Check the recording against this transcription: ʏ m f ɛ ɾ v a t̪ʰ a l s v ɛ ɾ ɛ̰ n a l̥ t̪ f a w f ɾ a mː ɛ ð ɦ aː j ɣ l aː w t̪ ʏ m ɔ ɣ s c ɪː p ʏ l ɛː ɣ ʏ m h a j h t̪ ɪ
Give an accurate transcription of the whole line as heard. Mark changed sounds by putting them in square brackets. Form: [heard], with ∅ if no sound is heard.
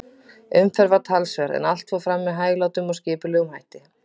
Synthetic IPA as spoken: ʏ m f ɛ ɾ v a t̪ʰ a l s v ɛ ɾ ɛ̰ n a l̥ t̪ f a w f ɾ a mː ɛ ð ɦ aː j ɣ l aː w t̪ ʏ m ɔ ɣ s c ɪː p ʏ l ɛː ɣ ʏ m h a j h t̪ ɪ